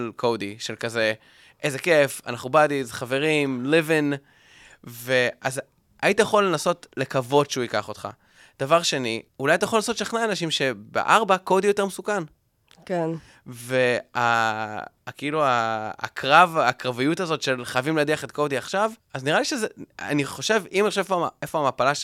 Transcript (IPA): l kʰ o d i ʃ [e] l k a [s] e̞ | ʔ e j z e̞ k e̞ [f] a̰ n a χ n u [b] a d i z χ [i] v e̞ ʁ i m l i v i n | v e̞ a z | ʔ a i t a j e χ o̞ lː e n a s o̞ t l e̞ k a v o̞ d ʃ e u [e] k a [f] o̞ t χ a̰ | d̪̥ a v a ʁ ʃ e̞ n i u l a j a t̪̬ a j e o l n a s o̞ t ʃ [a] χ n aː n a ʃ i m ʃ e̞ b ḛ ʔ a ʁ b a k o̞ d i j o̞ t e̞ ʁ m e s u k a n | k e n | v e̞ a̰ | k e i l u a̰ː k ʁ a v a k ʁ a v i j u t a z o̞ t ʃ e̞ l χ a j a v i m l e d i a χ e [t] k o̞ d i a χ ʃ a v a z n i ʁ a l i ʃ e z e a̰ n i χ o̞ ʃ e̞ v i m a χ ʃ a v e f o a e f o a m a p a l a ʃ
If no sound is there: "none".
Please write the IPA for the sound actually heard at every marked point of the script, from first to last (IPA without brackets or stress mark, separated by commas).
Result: e, z, f, b, a, i, χ, a, t